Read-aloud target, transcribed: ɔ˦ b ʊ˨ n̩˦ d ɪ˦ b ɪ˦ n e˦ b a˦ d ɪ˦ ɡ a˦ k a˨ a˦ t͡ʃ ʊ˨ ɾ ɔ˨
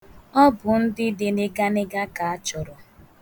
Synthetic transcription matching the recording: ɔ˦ b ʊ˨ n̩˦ d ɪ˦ d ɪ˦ n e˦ ɡ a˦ n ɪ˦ ɡ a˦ k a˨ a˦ t͡ʃ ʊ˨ ɾ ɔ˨